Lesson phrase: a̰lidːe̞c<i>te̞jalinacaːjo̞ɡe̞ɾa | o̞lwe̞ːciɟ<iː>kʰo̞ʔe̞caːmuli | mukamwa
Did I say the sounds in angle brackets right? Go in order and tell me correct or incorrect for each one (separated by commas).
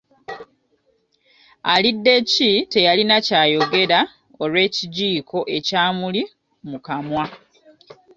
correct, correct